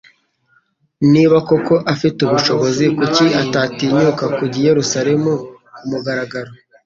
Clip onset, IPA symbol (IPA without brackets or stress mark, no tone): n